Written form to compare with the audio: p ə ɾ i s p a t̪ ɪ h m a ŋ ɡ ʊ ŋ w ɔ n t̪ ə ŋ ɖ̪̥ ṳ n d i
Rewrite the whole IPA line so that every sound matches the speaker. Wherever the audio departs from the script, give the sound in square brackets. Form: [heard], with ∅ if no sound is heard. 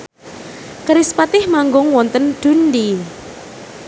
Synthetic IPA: [k] ə ɾ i s p a t̪ ɪ h m a ŋ ɡ ʊ ŋ w ɔ n t̪ ə [n] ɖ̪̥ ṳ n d i